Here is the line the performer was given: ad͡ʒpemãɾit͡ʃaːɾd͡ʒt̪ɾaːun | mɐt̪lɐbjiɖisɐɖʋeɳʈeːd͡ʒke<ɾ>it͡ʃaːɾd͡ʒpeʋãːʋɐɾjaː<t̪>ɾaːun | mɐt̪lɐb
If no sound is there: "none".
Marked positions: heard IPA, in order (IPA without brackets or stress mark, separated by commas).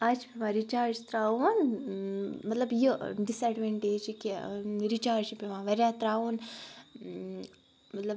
ɾ, t̪